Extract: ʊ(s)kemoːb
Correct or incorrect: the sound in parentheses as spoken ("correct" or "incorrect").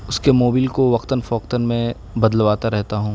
correct